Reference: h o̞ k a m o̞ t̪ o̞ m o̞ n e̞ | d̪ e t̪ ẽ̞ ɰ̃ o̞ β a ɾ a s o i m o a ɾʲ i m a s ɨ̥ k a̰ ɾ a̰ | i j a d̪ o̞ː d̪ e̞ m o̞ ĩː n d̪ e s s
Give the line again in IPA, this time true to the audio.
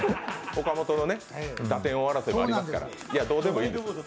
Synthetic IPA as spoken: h o̞ k a m o̞ t̪ o̞ n o̞ n e̞ | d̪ a t̪ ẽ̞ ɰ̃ o̞ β a ɾ a s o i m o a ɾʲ i m a s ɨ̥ k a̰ ɾ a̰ | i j a d̪ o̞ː d̪ e̞ m o̞ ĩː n d̪ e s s